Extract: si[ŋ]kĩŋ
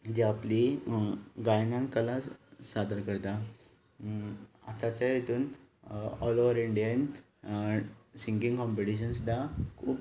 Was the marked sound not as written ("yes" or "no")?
no